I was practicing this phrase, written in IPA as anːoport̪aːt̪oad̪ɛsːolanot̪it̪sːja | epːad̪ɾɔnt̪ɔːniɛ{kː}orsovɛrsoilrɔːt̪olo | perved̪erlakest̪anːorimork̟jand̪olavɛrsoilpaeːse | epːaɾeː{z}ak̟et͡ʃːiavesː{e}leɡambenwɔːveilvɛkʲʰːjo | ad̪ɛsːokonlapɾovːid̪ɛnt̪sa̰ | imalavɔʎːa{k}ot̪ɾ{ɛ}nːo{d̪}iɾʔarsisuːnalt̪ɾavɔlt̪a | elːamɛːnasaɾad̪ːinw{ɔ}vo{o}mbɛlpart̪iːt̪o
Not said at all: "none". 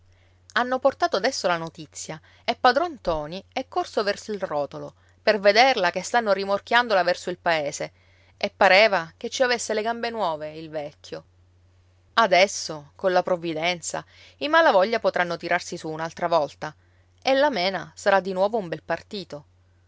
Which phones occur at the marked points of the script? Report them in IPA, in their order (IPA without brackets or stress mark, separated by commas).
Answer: kː, v, e, p, a, t̪, ɔː, u